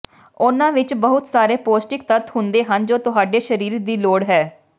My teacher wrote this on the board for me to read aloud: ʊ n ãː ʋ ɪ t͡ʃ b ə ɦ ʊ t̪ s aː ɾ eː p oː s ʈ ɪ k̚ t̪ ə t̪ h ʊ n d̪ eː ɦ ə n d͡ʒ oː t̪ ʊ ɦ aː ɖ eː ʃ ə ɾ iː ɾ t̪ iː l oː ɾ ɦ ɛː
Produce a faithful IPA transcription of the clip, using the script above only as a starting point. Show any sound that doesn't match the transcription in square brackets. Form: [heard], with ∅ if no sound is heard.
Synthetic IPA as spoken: ʊ n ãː ʋ ɪ t͡ʃ b ə ɦ ʊ t̪ s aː ɾ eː p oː s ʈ ɪ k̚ t̪ ə t̪ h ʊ n d̪ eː ɦ ə n d͡ʒ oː t̪ ʊ ɦ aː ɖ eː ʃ ə ɾ iː ɾ [d̪] iː l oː [ɽ] ɦ ɛː